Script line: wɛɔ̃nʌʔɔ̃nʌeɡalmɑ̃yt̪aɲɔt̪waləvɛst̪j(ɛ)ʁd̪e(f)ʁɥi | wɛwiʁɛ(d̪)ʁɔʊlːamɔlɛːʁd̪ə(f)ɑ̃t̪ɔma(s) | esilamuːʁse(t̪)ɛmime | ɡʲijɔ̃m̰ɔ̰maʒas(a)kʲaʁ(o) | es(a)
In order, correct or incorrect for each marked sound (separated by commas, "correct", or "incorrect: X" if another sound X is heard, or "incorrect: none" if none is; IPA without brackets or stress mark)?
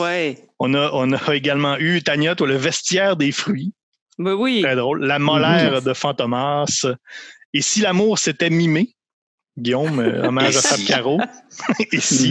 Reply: incorrect: ɛː, correct, correct, correct, correct, correct, correct, correct, incorrect: i